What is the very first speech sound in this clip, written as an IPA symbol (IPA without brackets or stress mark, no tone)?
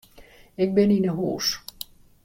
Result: ɪ